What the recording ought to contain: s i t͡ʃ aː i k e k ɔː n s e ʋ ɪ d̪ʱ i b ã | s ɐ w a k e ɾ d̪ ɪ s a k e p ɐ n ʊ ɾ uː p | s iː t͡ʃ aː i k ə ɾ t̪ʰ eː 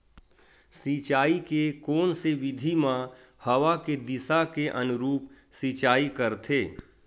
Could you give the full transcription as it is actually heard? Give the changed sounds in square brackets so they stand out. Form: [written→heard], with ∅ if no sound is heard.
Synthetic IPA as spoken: s i t͡ʃ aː i k e k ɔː n s e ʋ ɪ d̪ʱ i [b→m] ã | [s→h] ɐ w a k e [ɾ→∅] d̪ ɪ s a k e [p→ʔ] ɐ n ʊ ɾ uː p | s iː t͡ʃ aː i k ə ɾ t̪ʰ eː